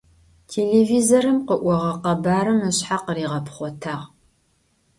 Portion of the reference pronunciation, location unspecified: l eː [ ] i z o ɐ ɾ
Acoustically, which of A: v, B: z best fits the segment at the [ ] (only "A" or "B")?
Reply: A